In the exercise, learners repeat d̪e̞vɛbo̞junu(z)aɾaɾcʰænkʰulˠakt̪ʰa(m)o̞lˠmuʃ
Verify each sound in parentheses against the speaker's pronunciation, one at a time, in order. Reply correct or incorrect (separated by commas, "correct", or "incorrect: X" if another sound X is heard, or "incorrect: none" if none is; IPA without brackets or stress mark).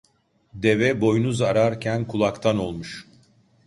correct, incorrect: n